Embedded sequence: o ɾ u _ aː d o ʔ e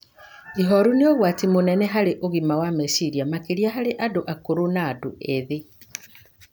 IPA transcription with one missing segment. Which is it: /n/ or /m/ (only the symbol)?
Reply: n